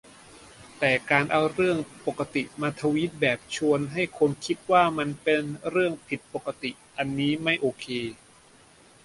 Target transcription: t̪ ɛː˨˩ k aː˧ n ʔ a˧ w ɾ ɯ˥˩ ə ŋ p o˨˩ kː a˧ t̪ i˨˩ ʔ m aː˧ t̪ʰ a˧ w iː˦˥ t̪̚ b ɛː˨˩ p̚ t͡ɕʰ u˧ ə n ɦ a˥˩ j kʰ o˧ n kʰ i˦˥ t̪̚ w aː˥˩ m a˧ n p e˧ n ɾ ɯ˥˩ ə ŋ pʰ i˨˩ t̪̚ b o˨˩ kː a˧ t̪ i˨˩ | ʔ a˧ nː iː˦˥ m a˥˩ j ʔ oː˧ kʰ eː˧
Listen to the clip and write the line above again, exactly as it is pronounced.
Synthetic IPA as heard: t̪ ɛː˨˩ k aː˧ n ʔ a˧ w ɾ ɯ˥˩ ə ŋ p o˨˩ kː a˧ t̪ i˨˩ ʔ m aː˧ t̪ʰ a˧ w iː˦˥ t̪̚ b ɛː˨˩ p̚ t͡ɕʰ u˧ ə n ɦ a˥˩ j kʰ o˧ n kʰ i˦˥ t̪̚ w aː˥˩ m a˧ n p e˧ n ɾ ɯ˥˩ ə ŋ pʰ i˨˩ t̪̚ p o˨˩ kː a˧ t̪ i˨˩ | ʔ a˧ nː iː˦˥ m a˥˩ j ʔ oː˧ kʰ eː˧